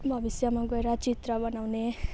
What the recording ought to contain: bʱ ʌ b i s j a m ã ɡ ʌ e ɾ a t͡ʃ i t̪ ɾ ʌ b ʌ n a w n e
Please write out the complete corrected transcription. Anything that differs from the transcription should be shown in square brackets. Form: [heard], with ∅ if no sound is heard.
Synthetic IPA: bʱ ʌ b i s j a m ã ɡ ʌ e ɾ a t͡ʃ i t̪ ɾ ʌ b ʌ n a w n e